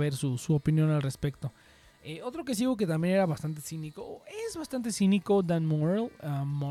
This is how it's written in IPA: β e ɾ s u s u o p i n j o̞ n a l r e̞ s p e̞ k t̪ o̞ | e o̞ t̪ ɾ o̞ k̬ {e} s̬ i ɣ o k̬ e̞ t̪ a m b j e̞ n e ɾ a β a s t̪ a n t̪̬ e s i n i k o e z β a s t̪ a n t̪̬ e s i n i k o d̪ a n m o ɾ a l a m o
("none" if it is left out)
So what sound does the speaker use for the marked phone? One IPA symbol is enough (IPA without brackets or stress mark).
e